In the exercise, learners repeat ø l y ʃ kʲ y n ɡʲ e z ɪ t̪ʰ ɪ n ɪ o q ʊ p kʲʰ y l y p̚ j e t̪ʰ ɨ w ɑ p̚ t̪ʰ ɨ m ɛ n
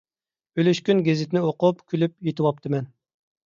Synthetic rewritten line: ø l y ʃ kʲ y n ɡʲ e z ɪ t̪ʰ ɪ n ɪ o q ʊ p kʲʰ y l y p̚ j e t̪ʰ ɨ w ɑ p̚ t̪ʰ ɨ m ɛ n

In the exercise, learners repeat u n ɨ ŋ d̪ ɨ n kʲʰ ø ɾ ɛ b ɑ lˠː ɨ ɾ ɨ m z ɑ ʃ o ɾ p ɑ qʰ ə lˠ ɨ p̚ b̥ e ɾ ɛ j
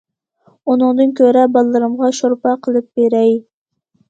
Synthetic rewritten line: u n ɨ ŋ d̪ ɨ n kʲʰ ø ɾ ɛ b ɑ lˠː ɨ ɾ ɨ m ʁ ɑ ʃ o ɾ p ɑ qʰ ə lˠ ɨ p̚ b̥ e ɾ ɛ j

